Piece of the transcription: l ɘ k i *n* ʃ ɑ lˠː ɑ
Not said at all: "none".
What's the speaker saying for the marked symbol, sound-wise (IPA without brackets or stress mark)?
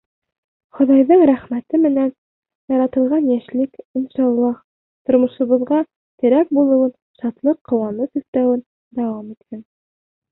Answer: n